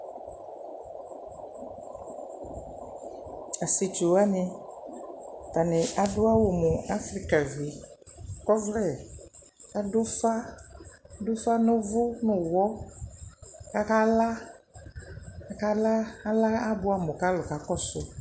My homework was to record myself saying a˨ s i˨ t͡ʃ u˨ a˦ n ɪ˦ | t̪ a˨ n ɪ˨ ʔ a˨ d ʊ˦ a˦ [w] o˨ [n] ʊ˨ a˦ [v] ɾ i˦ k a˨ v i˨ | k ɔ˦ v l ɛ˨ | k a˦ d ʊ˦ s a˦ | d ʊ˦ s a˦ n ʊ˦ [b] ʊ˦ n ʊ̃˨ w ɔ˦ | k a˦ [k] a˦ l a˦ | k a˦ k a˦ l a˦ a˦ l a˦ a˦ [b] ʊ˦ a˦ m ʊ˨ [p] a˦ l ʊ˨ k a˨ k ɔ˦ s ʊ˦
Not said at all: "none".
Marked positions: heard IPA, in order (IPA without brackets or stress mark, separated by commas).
w, m, f, v, k, b, k